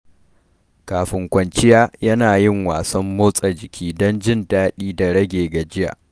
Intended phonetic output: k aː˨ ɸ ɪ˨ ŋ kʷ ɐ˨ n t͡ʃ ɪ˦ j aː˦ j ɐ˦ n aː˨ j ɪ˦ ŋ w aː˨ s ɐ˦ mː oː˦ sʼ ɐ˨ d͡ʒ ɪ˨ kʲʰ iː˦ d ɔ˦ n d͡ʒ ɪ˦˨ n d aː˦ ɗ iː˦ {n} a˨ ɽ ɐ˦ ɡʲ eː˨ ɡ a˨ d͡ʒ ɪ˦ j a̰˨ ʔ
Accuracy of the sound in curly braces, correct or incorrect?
incorrect: d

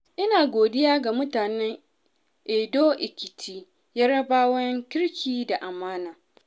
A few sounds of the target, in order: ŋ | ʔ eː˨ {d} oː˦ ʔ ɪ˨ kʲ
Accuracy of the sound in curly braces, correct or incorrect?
correct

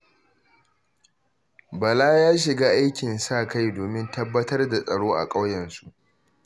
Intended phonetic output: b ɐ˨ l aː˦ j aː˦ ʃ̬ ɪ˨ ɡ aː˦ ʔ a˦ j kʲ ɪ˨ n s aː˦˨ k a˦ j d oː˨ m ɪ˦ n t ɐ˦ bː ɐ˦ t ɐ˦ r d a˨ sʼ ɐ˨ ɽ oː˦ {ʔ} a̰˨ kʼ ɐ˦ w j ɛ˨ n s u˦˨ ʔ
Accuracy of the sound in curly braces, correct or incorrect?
correct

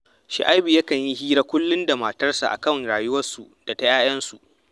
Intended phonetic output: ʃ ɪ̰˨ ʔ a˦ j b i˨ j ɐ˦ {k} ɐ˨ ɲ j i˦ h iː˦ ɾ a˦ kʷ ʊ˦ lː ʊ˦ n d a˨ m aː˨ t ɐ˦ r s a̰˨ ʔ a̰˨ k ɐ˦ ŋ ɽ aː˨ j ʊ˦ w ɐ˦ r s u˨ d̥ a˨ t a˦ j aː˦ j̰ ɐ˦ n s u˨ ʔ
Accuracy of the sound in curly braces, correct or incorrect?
correct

